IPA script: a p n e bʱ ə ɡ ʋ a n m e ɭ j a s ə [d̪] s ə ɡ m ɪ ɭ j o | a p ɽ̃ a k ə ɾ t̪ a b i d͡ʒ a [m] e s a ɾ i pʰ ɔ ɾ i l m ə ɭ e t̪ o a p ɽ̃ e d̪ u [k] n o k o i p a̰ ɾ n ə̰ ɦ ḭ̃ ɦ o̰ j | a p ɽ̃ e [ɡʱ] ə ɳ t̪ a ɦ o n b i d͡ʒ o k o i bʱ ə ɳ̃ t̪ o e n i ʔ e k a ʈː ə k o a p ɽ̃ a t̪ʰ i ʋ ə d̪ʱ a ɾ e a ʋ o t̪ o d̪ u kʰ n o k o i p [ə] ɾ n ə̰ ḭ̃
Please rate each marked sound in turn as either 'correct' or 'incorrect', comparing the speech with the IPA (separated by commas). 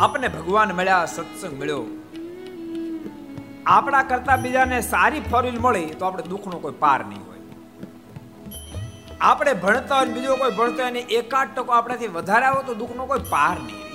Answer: incorrect, incorrect, incorrect, incorrect, incorrect